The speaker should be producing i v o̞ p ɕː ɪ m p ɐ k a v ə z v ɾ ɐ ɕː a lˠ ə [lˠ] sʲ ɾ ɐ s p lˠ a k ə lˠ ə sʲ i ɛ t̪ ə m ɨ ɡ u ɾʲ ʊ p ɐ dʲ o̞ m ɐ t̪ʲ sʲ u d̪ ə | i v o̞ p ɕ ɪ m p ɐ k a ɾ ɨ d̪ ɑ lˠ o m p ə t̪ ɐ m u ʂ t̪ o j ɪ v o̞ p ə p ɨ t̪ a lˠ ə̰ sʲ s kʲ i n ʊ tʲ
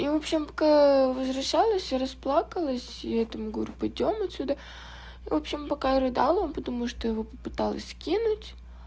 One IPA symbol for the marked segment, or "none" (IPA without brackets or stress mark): none